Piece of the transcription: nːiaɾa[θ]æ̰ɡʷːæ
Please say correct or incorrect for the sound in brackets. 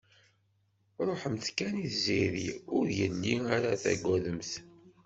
correct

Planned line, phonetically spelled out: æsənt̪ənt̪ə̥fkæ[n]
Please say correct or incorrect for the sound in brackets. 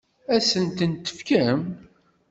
incorrect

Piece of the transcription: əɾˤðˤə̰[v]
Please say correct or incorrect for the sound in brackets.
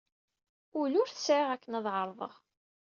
incorrect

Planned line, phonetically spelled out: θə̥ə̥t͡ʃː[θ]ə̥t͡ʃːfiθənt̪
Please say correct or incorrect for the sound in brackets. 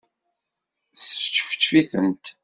incorrect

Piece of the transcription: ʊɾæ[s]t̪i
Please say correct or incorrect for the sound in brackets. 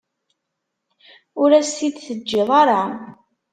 correct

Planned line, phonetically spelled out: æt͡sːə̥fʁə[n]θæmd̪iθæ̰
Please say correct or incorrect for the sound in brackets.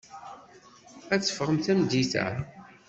incorrect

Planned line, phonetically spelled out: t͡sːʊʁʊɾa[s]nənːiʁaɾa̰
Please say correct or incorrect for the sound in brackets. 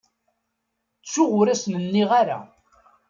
correct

